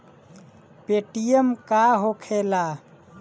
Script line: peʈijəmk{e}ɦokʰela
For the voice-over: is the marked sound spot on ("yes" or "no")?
no